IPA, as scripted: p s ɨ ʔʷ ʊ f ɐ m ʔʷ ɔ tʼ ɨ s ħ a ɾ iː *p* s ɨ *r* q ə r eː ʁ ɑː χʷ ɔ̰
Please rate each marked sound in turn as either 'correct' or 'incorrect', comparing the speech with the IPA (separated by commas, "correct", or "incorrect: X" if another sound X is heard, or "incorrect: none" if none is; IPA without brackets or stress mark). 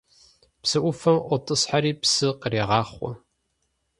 correct, incorrect: none